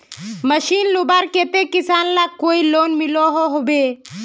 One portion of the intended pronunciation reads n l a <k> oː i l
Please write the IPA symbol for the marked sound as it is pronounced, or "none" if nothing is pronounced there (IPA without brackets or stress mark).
k